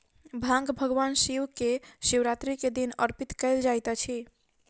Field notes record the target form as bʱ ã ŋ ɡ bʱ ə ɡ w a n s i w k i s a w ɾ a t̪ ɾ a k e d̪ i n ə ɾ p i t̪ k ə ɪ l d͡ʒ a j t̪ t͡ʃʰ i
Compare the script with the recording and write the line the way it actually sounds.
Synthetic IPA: bʱ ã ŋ ɡ bʱ ə ɡ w a n s i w k e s i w ɾ a t̪ ɾ i k e d̪ i n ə ɾ p i t̪ k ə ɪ l d͡ʒ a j t̪ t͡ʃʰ i